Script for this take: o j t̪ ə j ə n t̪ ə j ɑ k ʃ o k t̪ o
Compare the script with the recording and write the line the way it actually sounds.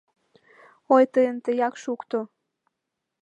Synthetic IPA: o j t̪ ə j ə n t̪ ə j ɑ k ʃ u k t̪ o